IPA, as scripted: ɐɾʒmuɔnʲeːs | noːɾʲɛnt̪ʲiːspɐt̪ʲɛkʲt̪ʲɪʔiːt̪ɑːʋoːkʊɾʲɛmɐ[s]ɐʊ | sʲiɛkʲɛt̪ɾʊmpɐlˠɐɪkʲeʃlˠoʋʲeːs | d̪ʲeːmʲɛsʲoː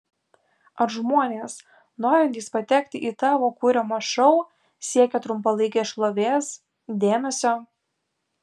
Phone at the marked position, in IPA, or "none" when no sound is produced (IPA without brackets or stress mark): ʃ